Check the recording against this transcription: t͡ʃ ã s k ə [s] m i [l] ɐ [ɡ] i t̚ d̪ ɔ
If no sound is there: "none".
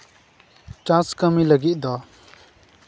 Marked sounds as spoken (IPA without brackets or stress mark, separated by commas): none, l, ɡ